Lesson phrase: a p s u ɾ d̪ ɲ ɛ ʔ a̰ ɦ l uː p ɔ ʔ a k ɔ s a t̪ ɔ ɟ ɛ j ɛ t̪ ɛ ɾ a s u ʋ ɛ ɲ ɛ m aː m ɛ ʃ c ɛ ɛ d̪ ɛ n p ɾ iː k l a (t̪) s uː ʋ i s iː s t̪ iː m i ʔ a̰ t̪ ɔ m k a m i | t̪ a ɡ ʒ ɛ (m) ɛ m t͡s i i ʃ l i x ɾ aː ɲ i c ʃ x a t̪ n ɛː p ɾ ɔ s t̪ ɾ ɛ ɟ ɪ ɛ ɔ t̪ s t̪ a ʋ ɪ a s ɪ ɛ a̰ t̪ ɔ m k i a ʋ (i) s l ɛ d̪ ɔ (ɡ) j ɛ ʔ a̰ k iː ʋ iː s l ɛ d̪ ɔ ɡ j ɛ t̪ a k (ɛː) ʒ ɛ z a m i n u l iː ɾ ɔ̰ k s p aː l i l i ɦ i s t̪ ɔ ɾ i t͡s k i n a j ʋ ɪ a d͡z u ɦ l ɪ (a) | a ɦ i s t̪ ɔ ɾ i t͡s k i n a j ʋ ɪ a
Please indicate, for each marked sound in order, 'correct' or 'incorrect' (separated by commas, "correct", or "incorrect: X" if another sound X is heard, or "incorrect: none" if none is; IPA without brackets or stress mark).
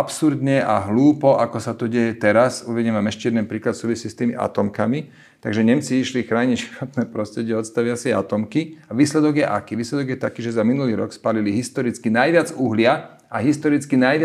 correct, incorrect: ɲ, incorrect: iː, correct, incorrect: iː, correct